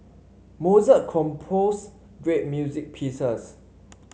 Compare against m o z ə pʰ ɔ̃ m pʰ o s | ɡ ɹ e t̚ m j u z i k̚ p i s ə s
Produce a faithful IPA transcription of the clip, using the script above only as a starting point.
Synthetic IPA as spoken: m o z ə kʰ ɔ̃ m pʰ o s | ɡ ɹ e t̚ m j u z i k̚ pʰ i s ə s